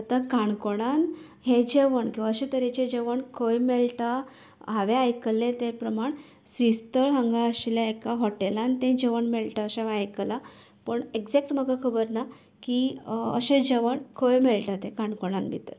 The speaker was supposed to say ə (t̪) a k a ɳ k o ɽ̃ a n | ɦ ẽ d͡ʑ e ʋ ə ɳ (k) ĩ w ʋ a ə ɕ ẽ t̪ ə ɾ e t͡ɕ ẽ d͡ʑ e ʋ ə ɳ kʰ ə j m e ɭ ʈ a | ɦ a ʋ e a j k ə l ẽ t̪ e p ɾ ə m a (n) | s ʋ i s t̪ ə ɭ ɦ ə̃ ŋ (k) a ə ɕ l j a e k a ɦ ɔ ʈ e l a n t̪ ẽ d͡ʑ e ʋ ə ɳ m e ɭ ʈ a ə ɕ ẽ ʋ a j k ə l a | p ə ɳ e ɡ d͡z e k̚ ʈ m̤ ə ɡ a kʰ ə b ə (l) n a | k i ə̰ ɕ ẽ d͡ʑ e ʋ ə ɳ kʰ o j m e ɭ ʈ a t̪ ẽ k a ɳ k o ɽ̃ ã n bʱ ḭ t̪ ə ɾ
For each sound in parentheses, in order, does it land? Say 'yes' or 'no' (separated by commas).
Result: yes, yes, no, no, no